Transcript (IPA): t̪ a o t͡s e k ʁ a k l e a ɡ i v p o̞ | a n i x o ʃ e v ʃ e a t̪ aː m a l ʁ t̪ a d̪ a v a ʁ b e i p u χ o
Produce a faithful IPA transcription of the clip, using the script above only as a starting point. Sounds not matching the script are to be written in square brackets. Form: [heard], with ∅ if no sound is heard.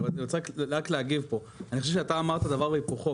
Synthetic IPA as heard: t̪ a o t͡s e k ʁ a k l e a ɡ i v p o̞ | a n i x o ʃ e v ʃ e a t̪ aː m a [∅] ʁ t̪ a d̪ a v a ʁ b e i p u χ o